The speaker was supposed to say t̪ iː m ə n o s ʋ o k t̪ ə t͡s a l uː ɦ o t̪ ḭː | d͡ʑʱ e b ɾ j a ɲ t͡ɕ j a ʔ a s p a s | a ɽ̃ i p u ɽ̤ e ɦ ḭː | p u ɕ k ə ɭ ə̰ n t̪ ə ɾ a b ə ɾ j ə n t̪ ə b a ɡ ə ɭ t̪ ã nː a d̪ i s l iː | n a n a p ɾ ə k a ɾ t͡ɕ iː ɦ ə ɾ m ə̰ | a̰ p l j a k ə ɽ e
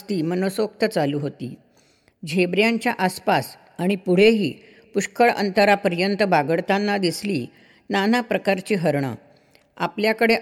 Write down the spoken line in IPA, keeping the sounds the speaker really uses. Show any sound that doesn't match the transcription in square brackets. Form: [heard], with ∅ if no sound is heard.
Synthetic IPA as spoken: t̪ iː m ə n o s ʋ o k t̪ ə t͡s a l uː ɦ o t̪ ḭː | d͡ʑʱ e b ɾ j a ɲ t͡ɕ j a ʔ a s p a s | a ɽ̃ i p u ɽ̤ e ɦ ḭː | p u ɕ k ə ɭ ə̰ n t̪ ə ɾ a [p] ə ɾ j ə n t̪ ə b a ɡ ə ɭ t̪ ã nː a d̪ i s l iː | n a n a p ɾ ə k a ɾ t͡ɕ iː ɦ ə ɾ [ɳ] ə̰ | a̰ p l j a k ə ɽ e